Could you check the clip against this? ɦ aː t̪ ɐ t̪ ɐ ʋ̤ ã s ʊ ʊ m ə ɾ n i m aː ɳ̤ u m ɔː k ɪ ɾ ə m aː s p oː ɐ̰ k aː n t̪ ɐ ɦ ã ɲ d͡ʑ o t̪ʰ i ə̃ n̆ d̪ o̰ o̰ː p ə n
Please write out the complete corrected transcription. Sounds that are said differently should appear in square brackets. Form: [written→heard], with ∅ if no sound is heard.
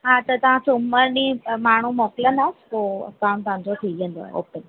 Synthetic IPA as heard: ɦ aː t̪ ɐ t̪ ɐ ʋ̤ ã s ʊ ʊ m ə ɾ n i m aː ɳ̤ u m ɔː k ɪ [ɾ→l] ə [m→n] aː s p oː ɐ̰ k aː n t̪ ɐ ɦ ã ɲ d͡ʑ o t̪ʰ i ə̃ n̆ d̪ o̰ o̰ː p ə n